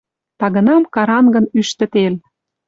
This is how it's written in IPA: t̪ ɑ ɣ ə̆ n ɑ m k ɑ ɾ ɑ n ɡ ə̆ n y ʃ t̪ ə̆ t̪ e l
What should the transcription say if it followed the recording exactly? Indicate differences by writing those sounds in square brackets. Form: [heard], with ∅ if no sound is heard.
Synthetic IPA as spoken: t̪ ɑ ɣ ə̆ n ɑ m k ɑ ɾ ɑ n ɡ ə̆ n y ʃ t̪ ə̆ t̪ e l

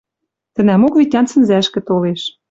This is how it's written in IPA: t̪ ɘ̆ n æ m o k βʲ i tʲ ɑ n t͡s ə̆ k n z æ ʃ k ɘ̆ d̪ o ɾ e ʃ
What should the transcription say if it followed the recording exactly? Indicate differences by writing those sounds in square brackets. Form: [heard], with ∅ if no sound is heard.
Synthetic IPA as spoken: t̪ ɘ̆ n æ m o k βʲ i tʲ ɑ n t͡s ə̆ [∅] n z æ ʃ k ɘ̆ [t̪] o [l] e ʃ

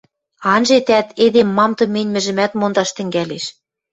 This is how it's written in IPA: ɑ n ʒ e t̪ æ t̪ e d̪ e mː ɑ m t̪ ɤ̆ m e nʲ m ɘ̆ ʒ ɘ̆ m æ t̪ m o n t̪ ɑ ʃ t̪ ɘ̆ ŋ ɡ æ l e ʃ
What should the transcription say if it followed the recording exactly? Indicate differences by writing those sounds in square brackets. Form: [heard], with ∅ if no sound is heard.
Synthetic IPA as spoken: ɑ n ʒ e t̪ æ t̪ e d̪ e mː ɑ m t̪ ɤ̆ m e nʲ m ɘ̆ ʒ ɘ̆ m æ t̪ m o n [d̪] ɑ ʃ t̪ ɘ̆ ŋ ɡ æ l e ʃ

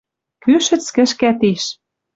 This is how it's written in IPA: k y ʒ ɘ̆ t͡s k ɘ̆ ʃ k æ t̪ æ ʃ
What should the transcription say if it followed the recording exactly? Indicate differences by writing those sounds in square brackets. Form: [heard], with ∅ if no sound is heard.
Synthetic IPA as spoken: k y [ʃ] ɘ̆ t͡s k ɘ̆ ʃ k æ t̪ [i] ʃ

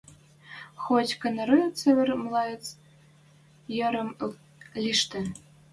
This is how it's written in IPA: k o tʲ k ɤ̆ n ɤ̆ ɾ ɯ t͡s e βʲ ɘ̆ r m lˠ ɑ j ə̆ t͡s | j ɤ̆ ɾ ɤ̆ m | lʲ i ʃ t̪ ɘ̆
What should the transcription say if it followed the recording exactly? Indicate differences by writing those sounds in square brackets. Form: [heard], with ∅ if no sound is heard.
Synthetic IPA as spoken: [x] o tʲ k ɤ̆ n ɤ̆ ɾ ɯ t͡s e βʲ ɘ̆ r m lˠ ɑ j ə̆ t͡s | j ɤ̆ ɾ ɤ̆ m | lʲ i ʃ t̪ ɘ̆

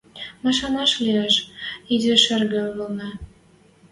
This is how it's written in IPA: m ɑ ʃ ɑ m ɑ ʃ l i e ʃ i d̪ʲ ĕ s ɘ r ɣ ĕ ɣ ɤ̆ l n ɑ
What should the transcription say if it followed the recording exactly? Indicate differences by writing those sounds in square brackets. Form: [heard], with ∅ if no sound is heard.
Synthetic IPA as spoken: m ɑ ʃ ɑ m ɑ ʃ l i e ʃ i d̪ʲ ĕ [ʃ] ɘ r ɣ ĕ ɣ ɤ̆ l n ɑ

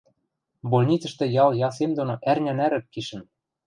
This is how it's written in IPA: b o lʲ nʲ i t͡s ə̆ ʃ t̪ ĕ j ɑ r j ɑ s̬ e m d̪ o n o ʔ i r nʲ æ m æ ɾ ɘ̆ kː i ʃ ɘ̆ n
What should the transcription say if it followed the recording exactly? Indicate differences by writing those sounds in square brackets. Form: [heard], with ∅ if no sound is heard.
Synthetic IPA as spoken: b o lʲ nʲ i t͡s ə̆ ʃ t̪ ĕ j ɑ [l] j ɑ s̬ e m d̪ o n o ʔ [æ] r nʲ æ [n] æ ɾ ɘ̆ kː i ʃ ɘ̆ n

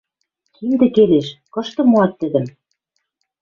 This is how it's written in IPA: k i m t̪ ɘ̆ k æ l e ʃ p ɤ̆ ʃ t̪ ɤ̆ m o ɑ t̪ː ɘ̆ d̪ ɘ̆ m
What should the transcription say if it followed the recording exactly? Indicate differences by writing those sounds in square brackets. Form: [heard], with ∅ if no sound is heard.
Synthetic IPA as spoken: k i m [d̪] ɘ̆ k [e] l e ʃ [k] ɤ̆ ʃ t̪ ɤ̆ m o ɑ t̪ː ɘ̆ d̪ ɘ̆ m

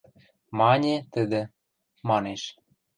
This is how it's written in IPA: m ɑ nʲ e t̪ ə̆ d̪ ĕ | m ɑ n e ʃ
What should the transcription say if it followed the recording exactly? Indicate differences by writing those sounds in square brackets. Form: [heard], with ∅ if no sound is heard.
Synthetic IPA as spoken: m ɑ nʲ e t̪ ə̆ d̪ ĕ | m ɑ n e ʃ

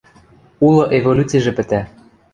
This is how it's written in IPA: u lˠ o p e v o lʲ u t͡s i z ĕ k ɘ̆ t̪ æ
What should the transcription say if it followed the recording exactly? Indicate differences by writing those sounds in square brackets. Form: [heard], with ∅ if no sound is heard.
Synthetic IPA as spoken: u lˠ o [ʔ] e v o lʲ u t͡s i [ʒ] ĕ [p] ɘ̆ t̪ æ

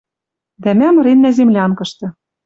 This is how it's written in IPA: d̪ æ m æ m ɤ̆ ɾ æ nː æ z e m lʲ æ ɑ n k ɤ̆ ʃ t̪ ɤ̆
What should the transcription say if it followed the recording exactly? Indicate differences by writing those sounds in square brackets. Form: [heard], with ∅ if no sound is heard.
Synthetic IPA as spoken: d̪ æ m æ m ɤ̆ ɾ [e] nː æ z e m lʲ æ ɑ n k ɤ̆ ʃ t̪ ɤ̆

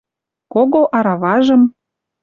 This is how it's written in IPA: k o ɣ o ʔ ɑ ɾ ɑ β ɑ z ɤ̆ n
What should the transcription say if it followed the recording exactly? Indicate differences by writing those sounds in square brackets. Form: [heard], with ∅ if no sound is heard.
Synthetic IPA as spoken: k o ɣ o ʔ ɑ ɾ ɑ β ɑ [ʒ] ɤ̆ [m]

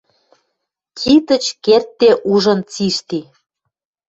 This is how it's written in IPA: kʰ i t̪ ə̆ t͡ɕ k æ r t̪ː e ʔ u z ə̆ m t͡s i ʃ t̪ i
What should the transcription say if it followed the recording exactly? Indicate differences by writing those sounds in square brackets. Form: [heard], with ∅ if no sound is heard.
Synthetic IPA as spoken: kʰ i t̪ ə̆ t͡ɕ k [e] r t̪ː e ʔ u [ʒ] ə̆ [n] t͡s i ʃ t̪ i

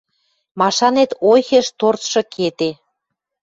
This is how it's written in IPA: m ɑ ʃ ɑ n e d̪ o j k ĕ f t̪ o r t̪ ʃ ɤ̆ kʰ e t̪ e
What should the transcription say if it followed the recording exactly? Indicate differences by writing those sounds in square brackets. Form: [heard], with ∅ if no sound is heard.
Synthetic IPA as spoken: m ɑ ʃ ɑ n e [t̪] o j [x] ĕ [ʃ] t̪ o r t̪ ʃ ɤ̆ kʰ e t̪ e

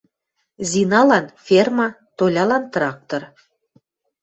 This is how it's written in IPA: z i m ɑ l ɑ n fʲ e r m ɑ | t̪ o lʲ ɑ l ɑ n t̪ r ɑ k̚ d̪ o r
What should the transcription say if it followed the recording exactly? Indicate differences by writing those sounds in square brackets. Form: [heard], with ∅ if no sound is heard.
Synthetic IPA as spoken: z i [n] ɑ l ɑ n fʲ e r m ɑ | t̪ o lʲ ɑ l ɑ n t̪ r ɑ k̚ [t̪] o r

